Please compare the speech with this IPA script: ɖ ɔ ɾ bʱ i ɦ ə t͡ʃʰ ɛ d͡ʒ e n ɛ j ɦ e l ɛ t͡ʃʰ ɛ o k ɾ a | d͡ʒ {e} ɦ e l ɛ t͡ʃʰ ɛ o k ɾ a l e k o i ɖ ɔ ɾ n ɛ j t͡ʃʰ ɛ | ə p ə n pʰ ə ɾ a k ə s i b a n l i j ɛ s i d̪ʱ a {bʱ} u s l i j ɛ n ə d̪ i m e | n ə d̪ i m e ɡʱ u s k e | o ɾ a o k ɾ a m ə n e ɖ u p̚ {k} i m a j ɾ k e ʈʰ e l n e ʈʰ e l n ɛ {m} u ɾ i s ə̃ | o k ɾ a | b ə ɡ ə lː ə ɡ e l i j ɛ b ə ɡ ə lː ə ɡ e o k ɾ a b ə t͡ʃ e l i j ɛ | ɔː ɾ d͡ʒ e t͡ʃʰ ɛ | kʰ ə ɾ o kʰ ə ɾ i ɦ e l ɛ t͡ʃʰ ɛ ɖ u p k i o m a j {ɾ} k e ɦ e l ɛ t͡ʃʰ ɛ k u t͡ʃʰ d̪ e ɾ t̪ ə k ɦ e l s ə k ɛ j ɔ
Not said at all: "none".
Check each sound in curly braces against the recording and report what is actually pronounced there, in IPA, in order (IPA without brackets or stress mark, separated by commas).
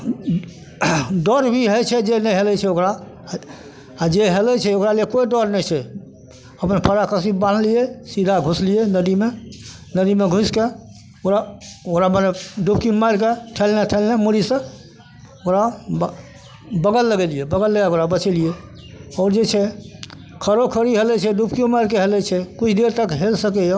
e, ɡʱ, k, m, ɾ